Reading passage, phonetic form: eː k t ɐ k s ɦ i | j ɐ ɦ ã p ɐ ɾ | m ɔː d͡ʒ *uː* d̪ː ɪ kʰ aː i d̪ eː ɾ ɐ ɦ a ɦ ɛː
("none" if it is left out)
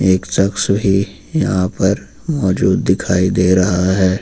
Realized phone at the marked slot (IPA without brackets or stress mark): uː